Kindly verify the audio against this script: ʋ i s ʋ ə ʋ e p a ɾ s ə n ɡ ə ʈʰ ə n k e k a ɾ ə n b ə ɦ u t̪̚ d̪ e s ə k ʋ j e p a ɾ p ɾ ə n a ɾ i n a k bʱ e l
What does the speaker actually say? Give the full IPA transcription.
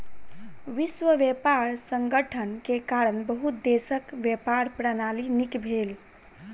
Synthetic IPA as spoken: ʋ i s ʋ ə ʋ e p a ɾ s ə ŋ ɡ ə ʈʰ ə n k e k a ɾ ə n b ə ɦ u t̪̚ d̪ e s ə k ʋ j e p a ɾ p ɾ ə n a l i n i k bʱ e l